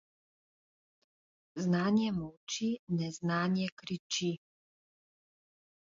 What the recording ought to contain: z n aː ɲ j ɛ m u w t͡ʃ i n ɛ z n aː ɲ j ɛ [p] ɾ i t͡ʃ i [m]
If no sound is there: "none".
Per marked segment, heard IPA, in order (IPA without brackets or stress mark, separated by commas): k, none